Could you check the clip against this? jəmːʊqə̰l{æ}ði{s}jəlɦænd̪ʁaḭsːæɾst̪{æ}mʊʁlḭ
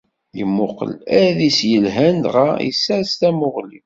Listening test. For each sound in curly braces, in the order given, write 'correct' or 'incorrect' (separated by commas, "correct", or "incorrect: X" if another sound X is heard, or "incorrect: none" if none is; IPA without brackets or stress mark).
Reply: correct, correct, correct